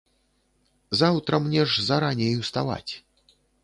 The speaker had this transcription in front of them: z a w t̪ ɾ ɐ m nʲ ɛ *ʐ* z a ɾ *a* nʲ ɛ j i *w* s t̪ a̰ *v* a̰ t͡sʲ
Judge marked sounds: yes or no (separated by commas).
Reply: yes, yes, yes, yes